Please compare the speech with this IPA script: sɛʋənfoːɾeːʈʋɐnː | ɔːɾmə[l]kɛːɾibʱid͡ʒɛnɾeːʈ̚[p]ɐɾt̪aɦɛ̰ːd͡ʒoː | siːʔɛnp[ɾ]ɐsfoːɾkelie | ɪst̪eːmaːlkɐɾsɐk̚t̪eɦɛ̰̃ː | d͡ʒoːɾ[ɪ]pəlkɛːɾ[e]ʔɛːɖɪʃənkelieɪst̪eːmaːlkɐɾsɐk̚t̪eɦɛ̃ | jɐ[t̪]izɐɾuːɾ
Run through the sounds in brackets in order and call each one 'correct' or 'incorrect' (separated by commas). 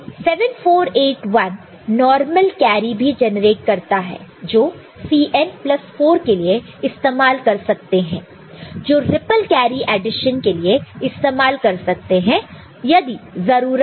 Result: correct, incorrect, incorrect, correct, incorrect, incorrect